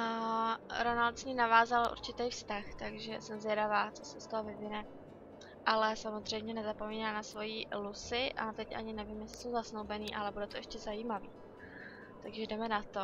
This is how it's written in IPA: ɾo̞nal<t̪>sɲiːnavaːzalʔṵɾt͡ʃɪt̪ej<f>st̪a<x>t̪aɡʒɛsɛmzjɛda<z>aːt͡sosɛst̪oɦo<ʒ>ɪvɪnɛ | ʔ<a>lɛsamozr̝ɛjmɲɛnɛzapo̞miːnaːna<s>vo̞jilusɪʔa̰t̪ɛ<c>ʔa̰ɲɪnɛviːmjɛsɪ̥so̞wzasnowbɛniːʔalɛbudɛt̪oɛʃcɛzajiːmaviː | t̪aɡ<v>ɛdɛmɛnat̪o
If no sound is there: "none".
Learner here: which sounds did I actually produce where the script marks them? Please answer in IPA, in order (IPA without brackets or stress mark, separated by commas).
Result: t̪, f, x, v, v, a, s, c, ʒ